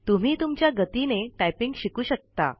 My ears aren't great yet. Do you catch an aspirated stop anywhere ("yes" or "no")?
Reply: no